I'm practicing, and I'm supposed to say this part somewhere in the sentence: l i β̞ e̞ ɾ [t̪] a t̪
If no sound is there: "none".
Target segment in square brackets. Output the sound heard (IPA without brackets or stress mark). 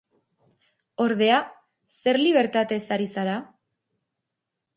t̪